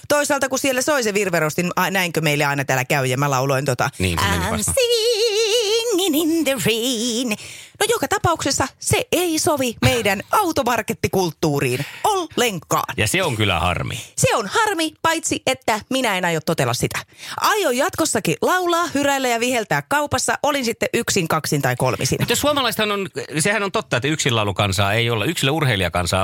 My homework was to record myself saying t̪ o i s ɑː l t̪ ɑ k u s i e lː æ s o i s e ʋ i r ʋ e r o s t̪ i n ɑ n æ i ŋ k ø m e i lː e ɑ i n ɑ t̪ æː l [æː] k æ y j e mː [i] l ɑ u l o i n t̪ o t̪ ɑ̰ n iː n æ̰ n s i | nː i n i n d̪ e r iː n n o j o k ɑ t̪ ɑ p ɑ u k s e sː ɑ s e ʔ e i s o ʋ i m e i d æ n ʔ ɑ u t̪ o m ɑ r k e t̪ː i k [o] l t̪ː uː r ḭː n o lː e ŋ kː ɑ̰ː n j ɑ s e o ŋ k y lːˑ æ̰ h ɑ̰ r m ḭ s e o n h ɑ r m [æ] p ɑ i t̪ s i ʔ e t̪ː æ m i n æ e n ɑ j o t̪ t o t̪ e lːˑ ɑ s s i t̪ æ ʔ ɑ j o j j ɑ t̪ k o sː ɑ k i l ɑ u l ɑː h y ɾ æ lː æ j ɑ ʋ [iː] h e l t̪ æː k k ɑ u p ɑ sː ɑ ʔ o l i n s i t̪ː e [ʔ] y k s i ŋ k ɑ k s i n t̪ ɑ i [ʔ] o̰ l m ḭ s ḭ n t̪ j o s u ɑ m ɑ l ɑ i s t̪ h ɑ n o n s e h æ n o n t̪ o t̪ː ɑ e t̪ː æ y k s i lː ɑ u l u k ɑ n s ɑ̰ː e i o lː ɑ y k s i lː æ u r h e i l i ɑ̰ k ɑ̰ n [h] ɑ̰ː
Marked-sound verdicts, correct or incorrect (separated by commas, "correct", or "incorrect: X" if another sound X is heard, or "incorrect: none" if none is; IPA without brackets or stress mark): incorrect: æ, incorrect: æ, incorrect: u, incorrect: i, incorrect: i, correct, incorrect: k, incorrect: s